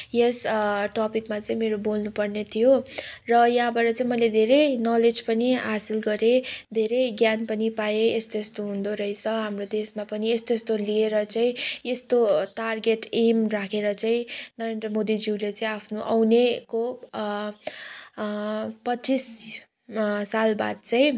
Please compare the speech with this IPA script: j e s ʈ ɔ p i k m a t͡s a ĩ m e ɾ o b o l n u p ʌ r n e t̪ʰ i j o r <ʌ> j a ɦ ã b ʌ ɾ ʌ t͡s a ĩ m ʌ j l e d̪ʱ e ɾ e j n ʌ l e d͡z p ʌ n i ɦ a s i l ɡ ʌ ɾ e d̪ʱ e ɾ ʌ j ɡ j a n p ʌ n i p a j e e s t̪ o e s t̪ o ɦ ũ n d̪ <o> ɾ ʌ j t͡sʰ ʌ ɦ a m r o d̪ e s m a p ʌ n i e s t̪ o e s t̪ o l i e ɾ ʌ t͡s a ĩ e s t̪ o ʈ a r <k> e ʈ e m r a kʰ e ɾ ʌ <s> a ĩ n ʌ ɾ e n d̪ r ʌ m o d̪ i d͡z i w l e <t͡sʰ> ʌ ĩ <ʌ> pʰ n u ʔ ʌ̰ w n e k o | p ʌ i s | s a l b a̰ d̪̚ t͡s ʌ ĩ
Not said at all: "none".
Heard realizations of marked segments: ʌ, o, ɡ, t͡s, t͡s, a

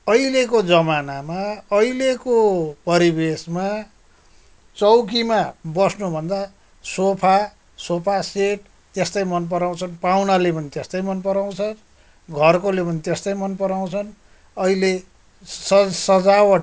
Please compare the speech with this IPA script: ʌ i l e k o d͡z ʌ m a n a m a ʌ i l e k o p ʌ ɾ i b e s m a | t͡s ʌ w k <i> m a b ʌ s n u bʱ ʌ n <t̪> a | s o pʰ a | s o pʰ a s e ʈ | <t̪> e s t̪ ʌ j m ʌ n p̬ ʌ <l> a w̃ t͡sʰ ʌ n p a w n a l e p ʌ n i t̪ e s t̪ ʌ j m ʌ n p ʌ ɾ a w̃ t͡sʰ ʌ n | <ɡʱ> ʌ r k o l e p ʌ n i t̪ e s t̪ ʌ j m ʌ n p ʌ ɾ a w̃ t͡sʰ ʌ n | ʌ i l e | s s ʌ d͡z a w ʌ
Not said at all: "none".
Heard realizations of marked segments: i, d̪, t̪, ɾ, ɡʱ

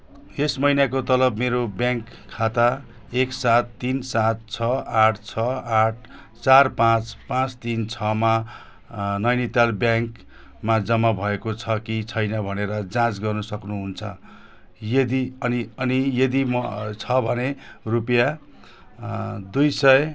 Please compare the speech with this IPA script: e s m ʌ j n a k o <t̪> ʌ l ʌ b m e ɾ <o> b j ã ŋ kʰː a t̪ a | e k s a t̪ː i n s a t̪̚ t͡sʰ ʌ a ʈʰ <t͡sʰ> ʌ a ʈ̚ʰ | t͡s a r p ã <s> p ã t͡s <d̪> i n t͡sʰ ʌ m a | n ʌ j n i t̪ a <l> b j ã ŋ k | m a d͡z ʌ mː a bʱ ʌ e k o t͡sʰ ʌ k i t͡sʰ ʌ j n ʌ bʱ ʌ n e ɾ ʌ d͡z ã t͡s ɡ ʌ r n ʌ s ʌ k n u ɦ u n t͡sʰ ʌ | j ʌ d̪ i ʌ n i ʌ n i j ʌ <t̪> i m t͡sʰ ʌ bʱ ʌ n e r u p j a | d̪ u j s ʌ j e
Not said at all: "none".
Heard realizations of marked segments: t̪, o, t͡sʰ, t͡s, t̪, l, d̪

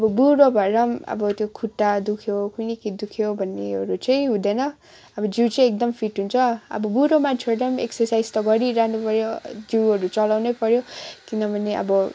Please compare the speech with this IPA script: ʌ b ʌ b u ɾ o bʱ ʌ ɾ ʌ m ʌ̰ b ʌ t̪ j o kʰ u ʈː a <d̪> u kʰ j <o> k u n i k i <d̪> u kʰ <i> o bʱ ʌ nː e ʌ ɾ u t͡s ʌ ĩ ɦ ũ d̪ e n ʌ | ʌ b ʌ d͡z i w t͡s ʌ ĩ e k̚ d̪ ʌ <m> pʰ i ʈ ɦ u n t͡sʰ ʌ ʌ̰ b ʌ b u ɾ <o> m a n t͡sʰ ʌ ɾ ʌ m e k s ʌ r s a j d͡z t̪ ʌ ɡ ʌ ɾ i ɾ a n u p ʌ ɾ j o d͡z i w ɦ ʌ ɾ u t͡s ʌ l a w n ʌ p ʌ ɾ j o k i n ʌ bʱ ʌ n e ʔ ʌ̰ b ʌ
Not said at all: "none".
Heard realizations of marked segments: d̪, o, d̪, j, m, o

